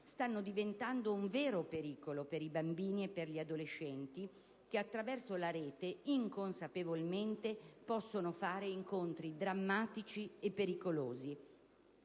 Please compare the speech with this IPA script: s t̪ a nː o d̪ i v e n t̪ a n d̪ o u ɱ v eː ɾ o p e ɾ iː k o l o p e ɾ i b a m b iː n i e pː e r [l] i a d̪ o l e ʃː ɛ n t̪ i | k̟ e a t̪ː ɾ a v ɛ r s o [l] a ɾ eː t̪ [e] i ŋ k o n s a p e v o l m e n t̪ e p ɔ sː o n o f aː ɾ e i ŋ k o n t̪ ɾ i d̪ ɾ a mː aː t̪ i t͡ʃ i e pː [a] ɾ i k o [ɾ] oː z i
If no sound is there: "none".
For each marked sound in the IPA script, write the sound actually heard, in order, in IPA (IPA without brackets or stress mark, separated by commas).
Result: ʎ, l, e, e, l